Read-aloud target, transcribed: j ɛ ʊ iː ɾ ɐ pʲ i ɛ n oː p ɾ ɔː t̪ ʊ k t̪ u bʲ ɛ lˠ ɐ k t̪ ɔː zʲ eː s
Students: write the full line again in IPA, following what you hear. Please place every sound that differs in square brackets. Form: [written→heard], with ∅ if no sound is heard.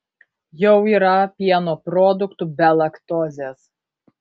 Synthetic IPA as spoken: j ɛ ʊ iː ɾ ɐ pʲ i ɛ n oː p ɾ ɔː [t̪→d̪] ʊ k t̪ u bʲ ɛ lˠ ɐ k t̪ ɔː zʲ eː s